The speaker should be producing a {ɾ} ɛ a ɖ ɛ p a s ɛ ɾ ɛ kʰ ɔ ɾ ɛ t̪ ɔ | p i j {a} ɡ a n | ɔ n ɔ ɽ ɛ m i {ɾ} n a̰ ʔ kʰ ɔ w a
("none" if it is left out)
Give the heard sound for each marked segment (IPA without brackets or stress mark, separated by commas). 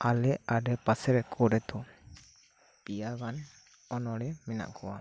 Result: l, a, none